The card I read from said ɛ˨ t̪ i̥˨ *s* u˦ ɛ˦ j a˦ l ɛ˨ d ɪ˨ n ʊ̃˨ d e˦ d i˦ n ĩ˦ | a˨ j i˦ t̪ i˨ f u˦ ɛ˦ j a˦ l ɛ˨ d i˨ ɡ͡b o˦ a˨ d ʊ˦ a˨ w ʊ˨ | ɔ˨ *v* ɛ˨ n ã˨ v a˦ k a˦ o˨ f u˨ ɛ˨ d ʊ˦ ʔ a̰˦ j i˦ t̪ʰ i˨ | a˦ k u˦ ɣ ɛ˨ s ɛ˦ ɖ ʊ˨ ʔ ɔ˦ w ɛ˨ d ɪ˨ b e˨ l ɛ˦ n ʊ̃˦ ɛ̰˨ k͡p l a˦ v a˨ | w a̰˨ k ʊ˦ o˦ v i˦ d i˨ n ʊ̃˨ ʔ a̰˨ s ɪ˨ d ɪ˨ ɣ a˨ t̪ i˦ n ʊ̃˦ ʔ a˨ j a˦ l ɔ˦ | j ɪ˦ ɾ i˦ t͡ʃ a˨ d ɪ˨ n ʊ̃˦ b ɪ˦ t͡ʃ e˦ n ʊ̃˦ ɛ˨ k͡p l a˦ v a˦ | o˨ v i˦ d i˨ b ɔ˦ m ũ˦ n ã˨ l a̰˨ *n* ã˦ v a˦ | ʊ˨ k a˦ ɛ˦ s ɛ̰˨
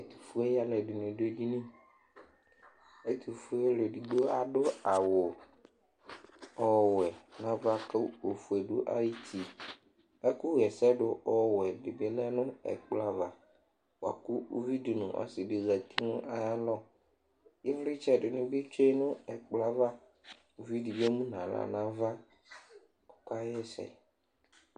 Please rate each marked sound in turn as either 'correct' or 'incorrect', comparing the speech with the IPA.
incorrect: f, incorrect: w, correct

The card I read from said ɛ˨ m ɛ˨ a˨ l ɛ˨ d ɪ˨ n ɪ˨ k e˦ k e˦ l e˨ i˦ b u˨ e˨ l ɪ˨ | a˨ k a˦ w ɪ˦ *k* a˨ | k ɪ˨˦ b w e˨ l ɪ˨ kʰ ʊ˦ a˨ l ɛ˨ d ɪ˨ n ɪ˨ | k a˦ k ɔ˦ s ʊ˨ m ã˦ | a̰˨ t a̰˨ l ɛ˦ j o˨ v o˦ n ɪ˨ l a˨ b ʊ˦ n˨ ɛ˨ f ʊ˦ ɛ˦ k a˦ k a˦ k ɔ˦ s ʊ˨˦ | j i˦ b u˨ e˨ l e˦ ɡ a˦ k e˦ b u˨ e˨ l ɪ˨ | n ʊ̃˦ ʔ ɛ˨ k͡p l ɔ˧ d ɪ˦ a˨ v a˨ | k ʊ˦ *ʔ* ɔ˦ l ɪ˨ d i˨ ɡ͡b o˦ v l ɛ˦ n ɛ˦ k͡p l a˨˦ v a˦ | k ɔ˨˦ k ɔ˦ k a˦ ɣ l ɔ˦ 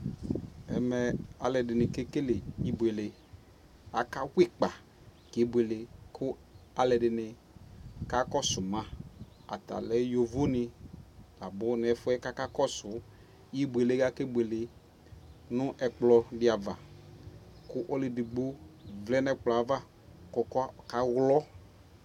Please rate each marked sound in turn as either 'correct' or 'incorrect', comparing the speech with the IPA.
incorrect: k͡p, correct

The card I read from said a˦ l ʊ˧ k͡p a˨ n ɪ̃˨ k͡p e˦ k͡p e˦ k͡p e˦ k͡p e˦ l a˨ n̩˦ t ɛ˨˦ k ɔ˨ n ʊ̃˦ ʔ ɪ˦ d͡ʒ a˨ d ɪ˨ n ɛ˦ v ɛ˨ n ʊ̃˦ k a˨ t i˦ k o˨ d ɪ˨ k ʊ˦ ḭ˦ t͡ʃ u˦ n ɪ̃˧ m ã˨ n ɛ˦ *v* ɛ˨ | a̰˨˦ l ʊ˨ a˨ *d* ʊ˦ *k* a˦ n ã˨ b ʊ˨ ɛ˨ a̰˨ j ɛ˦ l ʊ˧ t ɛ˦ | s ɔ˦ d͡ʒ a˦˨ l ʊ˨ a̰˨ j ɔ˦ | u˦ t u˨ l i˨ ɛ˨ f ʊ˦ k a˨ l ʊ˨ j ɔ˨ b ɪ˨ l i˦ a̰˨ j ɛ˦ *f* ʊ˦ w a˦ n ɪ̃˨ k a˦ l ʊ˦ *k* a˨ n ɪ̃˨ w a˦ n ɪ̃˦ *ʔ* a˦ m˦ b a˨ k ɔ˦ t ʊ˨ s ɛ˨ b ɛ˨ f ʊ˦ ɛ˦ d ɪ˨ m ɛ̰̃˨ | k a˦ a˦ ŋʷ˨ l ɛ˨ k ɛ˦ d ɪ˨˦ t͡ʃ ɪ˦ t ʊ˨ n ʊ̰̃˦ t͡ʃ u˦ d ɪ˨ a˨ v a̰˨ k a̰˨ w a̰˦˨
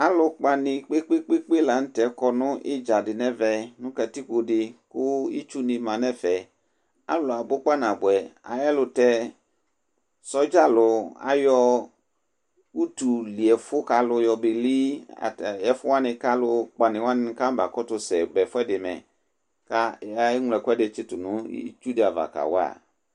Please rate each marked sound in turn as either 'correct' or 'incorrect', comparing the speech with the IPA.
incorrect: f, incorrect: b, incorrect: k͡p, correct, incorrect: k͡p, incorrect: k

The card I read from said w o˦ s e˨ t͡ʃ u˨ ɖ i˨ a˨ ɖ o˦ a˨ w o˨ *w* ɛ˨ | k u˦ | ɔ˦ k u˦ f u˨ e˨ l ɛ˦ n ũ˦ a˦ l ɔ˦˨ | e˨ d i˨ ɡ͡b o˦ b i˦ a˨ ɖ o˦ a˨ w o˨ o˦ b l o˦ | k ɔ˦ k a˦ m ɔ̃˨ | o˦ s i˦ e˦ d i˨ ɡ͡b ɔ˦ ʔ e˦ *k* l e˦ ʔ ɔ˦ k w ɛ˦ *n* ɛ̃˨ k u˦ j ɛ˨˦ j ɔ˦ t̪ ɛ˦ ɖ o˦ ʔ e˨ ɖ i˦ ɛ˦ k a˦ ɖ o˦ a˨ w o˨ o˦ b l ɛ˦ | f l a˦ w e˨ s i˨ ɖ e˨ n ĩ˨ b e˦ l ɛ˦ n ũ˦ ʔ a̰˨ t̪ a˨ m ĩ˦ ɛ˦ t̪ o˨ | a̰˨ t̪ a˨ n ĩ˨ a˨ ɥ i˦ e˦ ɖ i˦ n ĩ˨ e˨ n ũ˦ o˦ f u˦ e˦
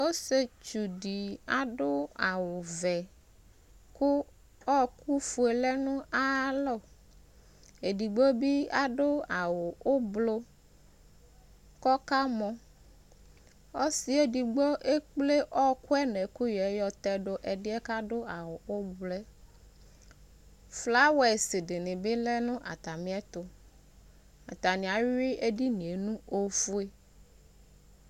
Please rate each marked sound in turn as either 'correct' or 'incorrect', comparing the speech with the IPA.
incorrect: v, incorrect: k͡p, correct

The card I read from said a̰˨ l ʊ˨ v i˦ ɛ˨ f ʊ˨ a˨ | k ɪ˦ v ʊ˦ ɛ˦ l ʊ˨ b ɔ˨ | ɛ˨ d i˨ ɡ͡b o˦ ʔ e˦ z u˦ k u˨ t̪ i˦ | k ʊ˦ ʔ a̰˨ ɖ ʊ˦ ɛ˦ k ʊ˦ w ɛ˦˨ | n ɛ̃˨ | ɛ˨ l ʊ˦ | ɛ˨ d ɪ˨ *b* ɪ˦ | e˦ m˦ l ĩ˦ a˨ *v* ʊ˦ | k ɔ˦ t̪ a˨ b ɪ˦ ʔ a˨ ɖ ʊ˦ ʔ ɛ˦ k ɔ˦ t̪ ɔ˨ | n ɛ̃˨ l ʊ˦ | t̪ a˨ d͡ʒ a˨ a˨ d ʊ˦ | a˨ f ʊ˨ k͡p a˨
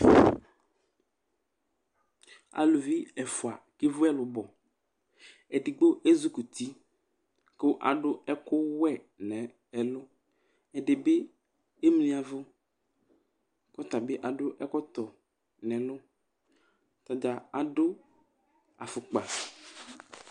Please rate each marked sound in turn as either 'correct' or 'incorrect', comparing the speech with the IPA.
correct, correct

